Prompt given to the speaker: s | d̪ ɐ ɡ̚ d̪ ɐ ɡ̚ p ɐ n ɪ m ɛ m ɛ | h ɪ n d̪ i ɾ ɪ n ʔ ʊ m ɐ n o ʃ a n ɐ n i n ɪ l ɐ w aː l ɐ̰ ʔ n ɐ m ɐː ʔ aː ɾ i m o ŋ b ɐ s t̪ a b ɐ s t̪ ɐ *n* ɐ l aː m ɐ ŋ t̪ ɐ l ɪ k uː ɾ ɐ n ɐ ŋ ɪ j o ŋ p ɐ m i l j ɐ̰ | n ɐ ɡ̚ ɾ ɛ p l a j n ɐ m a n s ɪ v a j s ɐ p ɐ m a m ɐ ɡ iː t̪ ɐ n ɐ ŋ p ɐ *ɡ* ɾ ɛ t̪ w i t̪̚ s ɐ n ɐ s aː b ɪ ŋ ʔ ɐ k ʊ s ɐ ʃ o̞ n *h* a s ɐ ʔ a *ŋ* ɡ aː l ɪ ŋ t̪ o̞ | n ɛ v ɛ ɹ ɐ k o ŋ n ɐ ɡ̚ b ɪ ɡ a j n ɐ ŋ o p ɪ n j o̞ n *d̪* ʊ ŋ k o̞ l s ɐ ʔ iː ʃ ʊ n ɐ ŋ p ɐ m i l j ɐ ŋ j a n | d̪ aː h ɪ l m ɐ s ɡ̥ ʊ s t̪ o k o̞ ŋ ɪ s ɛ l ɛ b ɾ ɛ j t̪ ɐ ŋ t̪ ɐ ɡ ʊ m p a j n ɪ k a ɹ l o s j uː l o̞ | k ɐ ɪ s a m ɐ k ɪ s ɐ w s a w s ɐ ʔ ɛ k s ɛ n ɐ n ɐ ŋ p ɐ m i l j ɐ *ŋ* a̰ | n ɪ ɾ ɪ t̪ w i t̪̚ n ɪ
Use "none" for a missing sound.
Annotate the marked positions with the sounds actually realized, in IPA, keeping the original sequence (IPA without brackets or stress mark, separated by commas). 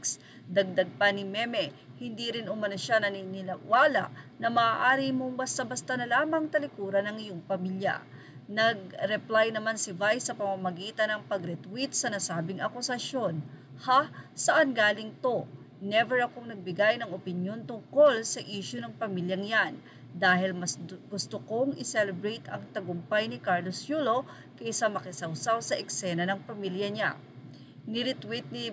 n, ɡ, h, n, t̪, ɲ